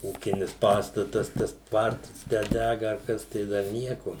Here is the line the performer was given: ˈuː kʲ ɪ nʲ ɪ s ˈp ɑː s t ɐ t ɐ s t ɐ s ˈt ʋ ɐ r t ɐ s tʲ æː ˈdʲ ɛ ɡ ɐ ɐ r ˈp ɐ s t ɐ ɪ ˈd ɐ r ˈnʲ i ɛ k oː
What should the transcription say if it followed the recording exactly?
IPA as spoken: ˈuː kʲ ɪ nʲ ɪ s ˈp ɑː s t ɐ t ɐ s t ɐ s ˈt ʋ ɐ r t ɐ s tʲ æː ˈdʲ æ ɡ ɐ ɐ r ˈk ɐ s t ɐ ɪ ˈd ɐ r ˈnʲ i ɛ k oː